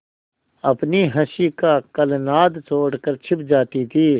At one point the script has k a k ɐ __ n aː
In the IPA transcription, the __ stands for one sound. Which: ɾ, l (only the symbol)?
l